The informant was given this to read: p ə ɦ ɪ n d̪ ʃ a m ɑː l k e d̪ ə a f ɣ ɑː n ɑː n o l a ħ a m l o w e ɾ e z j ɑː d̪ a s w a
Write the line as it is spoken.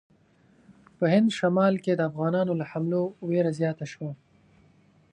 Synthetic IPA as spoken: p ə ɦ ɪ n d̪ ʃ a m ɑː l k e d̪ ə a f ɣ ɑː n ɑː n o l a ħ a m l o w e ɾ a z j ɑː t̪ a ʃ w a